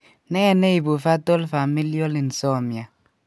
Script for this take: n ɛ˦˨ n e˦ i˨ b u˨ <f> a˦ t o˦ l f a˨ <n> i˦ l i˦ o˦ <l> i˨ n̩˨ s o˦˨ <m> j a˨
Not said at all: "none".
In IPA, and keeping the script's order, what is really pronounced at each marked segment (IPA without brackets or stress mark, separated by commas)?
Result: f, m, l, m